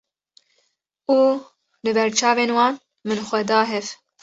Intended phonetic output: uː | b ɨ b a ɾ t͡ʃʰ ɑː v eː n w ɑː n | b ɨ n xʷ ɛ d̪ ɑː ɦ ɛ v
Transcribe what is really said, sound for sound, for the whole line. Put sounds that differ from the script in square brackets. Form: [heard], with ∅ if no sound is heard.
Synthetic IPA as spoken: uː | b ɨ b [ɛ] ɾ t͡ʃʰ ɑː v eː n w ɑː n | [m] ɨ n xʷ ɛ d̪ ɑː ɦ ɛ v